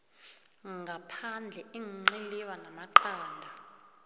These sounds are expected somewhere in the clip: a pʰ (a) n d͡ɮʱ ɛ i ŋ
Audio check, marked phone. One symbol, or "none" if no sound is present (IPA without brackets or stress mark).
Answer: a